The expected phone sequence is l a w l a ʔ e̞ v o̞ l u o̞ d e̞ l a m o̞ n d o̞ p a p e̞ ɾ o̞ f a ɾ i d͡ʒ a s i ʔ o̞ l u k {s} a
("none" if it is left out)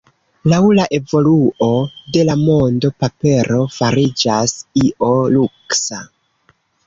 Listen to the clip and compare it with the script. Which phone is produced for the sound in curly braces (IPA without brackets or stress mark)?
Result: s